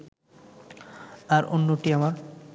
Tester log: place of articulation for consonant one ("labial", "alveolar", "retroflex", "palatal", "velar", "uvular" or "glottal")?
alveolar